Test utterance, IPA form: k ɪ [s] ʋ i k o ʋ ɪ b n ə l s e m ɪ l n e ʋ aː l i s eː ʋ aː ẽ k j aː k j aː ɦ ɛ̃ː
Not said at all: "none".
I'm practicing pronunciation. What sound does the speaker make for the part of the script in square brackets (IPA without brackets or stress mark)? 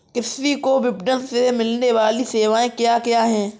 s